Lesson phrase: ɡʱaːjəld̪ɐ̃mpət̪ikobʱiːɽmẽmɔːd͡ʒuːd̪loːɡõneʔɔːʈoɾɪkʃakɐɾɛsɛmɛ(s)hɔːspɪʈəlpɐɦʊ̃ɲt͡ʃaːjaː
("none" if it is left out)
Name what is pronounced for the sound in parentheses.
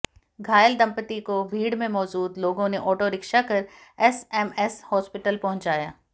s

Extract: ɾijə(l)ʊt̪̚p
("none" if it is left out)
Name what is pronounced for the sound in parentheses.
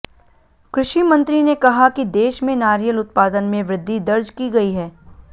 l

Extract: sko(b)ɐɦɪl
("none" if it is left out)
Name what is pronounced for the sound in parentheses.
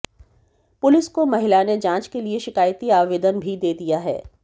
m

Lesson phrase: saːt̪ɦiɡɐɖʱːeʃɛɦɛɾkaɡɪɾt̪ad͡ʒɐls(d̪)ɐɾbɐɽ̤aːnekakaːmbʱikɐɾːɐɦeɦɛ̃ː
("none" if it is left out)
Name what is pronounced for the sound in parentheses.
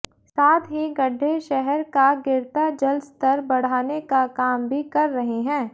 t̪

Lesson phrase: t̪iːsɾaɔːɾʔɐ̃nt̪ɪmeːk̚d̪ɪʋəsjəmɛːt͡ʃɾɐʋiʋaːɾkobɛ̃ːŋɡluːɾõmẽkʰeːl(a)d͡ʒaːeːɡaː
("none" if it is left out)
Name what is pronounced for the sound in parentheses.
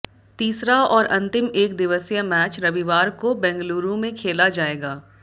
a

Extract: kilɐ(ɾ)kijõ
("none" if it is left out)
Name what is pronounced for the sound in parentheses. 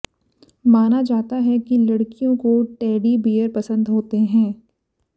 ɽ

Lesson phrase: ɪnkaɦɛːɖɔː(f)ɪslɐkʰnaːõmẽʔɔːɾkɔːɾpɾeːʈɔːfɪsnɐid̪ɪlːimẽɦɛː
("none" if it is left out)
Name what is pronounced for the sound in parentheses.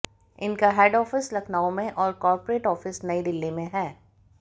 f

